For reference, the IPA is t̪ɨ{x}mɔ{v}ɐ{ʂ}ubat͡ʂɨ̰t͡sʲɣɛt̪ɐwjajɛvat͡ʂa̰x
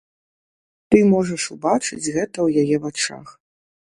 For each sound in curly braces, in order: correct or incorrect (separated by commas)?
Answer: incorrect, incorrect, correct